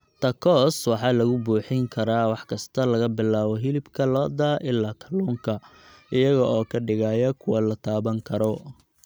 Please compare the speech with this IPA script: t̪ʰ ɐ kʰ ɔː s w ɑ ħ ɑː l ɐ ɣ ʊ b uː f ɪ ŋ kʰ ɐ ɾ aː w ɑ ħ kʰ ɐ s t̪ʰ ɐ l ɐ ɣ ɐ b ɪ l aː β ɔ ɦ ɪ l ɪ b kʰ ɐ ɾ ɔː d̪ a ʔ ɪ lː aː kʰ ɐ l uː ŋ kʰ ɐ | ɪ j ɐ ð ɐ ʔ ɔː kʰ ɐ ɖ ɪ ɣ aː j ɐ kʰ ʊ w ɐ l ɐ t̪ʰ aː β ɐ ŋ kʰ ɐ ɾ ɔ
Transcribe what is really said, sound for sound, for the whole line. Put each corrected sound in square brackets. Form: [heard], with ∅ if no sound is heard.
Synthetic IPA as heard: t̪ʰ ɐ kʰ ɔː s w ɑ ħ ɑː l ɐ ɣ ʊ b uː [ħ] ɪ ŋ kʰ ɐ ɾ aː w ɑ ħ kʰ ɐ s t̪ʰ ɐ l ɐ ɣ ɐ b ɪ l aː β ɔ ɦ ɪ l ɪ b kʰ ɐ [l] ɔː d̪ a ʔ ɪ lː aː kʰ ɐ l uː ŋ kʰ ɐ | ɪ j ɐ [ɣ] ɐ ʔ ɔː kʰ ɐ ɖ ɪ ɣ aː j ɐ kʰ ʊ w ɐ l ɐ t̪ʰ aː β ɐ ŋ kʰ ɐ ɾ ɔ